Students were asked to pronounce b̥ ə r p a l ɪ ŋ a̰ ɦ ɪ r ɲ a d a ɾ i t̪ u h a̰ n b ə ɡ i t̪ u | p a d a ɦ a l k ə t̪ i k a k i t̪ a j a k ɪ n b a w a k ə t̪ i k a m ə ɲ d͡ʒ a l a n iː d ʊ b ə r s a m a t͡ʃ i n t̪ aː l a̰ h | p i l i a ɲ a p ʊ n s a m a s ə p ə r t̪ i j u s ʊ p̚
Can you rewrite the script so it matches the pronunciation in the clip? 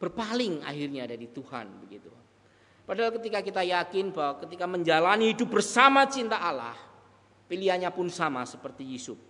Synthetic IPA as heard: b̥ ə r p a l ɪ ŋ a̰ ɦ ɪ r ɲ a d a ɾ i t̪ u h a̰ n b ə ɡ i t̪ u | p a d a ɦ a l k ə t̪ i k a k i t̪ a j a k ɪ n b a w a k ə t̪ i k a m ə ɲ d͡ʒ a l a n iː d ʊ b ə r s a m a t͡ʃ i n t̪ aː l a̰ h | p i l i a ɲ a p ʊ n s a m a s ə p ə r t̪ i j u s ʊ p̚